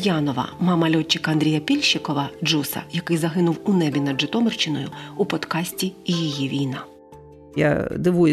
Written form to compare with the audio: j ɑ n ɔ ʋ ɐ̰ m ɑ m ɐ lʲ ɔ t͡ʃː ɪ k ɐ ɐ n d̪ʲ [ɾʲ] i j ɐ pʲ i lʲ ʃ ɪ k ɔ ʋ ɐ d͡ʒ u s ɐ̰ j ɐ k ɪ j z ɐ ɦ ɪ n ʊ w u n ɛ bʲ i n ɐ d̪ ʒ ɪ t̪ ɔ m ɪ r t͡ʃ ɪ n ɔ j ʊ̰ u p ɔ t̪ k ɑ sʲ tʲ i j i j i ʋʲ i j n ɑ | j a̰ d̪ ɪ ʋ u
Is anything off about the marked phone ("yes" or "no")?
no